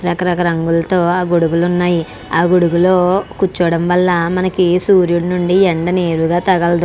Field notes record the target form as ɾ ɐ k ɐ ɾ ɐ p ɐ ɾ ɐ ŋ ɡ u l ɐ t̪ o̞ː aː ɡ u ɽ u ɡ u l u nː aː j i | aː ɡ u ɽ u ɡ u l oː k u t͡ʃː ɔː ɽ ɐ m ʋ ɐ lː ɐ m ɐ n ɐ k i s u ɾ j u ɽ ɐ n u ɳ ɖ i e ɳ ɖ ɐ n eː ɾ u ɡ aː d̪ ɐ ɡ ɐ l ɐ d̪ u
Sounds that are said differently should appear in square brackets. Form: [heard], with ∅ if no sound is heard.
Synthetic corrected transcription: ɾ ɐ k ɐ ɾ ɐ [k] ɐ ɾ ɐ ŋ ɡ u l ɐ t̪ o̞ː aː ɡ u ɽ u ɡ u l u nː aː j i | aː ɡ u ɽ u ɡ u l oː k u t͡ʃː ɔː ɽ ɐ m ʋ ɐ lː ɐ m ɐ n ɐ k i s [uː] ɾ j u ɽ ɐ n u ɳ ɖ i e ɳ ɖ ɐ n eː ɾ u ɡ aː [t̪] ɐ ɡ ɐ l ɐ d̪ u